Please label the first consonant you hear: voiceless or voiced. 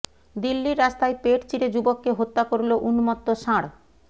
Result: voiced